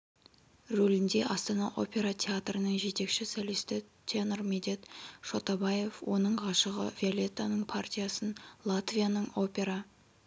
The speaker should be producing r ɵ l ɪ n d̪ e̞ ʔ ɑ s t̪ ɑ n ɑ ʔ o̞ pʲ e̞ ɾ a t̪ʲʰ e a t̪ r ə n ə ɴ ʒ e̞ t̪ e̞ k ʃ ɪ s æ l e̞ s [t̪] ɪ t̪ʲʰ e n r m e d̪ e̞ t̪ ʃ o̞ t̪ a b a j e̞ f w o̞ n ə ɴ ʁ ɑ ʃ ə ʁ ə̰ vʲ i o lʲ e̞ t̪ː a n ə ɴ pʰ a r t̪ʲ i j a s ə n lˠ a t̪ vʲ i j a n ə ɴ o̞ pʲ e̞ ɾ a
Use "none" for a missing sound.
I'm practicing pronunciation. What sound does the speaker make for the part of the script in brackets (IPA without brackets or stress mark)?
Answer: t̪